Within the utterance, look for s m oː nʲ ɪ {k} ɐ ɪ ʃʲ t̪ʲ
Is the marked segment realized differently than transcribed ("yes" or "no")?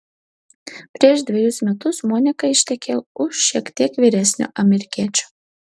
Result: no